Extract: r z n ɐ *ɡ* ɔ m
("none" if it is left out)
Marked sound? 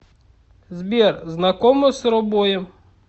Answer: k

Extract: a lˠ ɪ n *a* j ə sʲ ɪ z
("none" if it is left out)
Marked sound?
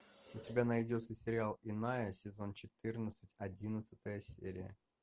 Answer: a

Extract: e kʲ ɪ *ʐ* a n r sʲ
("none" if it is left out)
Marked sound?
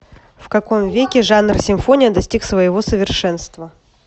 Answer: ʐ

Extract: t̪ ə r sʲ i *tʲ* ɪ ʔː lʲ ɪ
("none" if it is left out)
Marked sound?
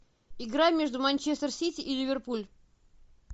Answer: tʲ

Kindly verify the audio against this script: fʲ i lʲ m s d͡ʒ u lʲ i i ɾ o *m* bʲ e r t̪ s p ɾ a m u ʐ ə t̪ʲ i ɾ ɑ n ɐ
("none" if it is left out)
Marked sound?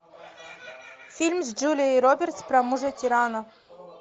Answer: none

